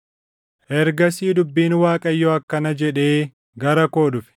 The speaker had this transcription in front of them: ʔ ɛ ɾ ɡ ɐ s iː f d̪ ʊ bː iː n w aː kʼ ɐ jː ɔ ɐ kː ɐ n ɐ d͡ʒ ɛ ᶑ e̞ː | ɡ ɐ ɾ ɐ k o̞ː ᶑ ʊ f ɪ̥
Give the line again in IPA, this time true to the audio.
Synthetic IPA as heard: ʔ ɛ ɾ ɡ ɐ s iː d̪ ʊ bː iː n w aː kʼ ɐ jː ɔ ɐ kː ɐ n ɐ d͡ʒ ɛ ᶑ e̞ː | ɡ ɐ ɾ ɐ k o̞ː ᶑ ʊ f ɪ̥